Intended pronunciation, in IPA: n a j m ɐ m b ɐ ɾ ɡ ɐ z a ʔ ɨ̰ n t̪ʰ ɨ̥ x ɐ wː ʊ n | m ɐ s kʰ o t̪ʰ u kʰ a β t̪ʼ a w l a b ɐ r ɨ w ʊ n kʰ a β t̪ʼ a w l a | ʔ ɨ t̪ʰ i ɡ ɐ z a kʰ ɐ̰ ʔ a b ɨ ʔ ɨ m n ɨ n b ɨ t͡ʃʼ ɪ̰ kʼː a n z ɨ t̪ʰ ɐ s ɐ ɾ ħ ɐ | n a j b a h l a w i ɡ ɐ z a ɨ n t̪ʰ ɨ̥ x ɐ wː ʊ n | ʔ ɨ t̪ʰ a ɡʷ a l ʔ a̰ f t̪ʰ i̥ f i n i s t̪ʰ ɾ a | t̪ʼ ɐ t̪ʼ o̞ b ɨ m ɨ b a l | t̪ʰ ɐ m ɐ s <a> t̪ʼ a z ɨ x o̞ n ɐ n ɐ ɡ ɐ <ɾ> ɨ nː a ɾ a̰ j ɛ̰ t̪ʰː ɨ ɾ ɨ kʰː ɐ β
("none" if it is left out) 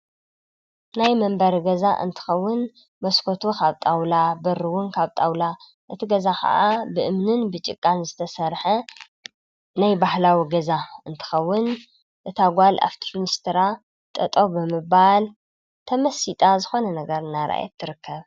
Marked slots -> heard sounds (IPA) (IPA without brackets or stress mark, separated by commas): i, ɾ